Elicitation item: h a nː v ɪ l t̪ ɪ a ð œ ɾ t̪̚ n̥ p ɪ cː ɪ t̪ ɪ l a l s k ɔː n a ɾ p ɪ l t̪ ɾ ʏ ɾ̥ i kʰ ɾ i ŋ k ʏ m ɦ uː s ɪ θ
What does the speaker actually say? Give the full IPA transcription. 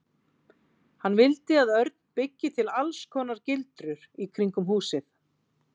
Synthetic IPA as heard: h a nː v ɪ l t̪ ɪ a ð œ ɾ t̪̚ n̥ p ɪ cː ɪ t̪ʰ ɪ l a l s kʰ ɔː n a ɾ c ɪ l t̪ ɾ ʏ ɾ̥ i kʰ ɾ i ŋ k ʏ m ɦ uː s ɪ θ

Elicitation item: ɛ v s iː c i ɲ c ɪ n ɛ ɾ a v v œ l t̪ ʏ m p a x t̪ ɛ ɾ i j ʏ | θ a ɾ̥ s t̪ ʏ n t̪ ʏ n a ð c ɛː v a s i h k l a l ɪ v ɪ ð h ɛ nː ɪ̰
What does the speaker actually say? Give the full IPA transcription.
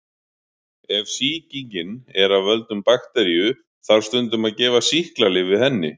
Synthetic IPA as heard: ɛ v s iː c i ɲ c ɪ n ɛ ɾ a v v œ l t̪ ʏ m p a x t̪ ɛ ɾ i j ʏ | θ a ɾ̥ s t̪ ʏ n t̪ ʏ m a ð c ɛː v a s i h k l a l ɪ v ɪ ð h ɛ nː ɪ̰

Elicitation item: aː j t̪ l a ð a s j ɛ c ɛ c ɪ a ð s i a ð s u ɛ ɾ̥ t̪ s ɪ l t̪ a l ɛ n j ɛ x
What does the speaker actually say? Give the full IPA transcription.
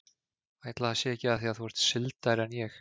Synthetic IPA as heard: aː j t̪ l a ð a s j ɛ ɛ c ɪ a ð θ i a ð θ u ɛ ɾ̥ t̪ s ɪ l t̪ a ɾ ɛ n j ɛ x

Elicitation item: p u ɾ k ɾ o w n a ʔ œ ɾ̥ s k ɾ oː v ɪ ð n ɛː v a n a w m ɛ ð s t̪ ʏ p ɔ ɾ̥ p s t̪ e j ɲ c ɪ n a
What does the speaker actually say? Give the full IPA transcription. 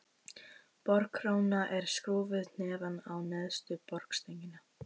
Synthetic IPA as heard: p ɔ ɾ k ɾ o w n a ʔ ɛ ɾ̥ s k ɾ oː v ɪ ð n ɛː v a n a w n ɛ ð s t̪ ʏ p ɔ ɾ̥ k s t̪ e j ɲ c ɪ n a

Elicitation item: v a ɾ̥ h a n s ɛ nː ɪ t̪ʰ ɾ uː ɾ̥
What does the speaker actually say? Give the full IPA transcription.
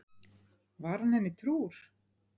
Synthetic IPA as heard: v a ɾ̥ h a n h ɛ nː ɪ t̪ʰ ɾ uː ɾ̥

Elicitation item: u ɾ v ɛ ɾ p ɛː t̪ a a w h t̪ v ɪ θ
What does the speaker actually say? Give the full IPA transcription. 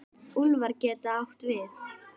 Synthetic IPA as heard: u l v a ɾ c ɛː t̪ a a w h t̪ v ɪ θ

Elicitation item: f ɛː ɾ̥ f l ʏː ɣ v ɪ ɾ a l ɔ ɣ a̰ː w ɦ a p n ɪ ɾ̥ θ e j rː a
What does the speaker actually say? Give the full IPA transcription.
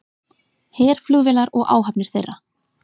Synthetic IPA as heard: h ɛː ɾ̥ f l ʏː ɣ v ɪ l a ɾ ɔ ɣ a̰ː w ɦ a p n ɪ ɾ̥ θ e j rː a

